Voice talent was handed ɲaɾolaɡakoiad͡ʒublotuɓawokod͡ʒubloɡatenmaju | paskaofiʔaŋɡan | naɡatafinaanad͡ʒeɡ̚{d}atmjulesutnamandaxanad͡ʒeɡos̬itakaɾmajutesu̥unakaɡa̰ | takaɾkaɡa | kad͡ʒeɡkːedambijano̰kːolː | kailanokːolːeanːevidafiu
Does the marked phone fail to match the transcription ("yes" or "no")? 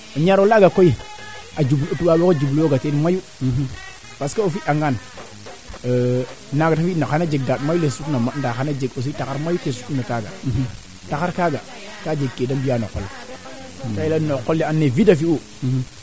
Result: no